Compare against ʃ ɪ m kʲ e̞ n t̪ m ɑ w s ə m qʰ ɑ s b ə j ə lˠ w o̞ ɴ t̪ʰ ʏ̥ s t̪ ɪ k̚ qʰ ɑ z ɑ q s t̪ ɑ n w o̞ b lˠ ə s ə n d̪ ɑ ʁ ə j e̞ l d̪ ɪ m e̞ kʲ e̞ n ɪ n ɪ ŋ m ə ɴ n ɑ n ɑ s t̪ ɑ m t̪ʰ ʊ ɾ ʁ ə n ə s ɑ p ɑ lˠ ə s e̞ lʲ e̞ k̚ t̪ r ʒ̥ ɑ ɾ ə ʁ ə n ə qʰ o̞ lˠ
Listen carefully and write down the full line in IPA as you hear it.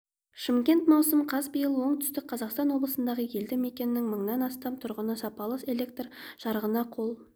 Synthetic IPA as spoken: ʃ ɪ m kʲ e̞ n t̪ m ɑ w s ə m qʰ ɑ z b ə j ə lˠ w o̞ ɴ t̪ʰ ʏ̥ s t̪ ɪ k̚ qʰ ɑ z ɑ q s t̪ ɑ n w o̞ b lˠ ə s ə n d̪ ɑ ʁ ə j e̞ l d̪ ɪ m e̞ kʲ e̞ n ɪ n ɪ ŋ m ə ɴ n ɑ n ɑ s t̪ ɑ m t̪ʰ ʊ ɾ ʁ ə n ə s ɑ p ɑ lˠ ə s e̞ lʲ e̞ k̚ t̪ r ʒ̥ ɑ ɾ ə ʁ ə n ɑ qʰ o̞ lˠ